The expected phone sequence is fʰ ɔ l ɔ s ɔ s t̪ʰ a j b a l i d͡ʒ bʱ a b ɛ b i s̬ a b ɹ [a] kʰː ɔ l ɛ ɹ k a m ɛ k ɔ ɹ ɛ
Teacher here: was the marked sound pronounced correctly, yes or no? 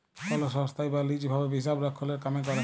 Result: yes